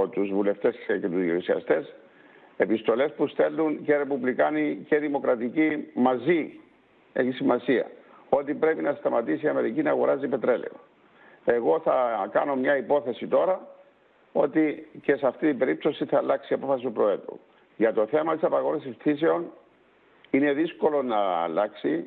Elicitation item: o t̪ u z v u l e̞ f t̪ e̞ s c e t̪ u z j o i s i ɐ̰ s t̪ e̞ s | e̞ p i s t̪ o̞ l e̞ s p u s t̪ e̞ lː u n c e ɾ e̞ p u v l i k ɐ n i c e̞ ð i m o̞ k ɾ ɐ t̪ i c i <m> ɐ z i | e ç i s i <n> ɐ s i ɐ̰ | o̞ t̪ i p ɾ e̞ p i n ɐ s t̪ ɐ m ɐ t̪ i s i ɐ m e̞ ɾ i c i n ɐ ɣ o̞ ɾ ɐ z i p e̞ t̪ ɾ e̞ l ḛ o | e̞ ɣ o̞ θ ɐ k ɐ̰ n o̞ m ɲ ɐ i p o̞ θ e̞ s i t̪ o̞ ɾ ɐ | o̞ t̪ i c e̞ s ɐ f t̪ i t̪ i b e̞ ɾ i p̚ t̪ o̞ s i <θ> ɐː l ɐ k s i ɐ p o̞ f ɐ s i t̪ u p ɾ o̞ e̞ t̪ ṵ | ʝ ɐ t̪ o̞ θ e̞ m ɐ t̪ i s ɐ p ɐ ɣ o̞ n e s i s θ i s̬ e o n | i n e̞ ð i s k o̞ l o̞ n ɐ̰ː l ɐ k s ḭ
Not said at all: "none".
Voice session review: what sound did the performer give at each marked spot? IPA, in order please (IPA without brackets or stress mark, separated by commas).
m, m, θ